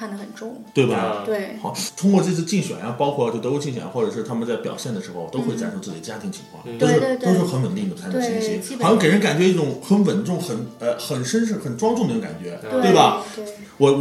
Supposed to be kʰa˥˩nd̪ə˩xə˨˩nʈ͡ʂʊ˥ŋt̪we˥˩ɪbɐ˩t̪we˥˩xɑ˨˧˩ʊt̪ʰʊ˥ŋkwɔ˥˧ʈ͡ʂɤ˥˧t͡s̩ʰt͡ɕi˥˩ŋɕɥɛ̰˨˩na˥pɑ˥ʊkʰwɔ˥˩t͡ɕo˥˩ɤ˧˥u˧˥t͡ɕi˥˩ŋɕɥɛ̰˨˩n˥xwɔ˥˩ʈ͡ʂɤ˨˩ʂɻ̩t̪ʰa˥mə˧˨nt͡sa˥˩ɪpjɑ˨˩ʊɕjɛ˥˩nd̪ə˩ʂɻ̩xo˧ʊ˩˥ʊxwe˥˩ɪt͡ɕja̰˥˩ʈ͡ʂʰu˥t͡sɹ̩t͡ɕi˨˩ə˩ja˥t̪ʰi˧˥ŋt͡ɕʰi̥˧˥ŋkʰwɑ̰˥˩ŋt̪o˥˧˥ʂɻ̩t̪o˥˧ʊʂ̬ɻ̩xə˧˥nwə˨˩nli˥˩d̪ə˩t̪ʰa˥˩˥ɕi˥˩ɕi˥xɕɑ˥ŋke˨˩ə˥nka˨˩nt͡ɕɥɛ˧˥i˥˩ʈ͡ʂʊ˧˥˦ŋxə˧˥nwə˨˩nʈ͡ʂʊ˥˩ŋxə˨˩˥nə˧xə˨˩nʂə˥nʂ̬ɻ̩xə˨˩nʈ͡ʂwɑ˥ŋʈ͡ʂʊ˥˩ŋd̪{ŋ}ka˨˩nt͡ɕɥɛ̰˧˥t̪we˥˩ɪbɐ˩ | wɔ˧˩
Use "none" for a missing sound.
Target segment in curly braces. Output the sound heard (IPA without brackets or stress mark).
ŋ